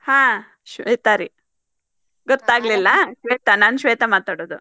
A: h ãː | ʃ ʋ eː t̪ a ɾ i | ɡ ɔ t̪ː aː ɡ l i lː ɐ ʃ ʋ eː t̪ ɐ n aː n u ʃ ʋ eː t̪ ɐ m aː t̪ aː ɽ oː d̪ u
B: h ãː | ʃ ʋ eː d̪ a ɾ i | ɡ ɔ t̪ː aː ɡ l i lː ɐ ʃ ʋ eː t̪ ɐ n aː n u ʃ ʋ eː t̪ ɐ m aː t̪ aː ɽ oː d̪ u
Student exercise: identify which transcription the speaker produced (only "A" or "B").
A